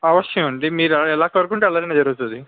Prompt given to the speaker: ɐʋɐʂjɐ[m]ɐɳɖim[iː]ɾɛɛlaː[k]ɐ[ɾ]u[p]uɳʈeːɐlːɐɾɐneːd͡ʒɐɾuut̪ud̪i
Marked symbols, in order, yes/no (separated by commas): yes, yes, yes, yes, no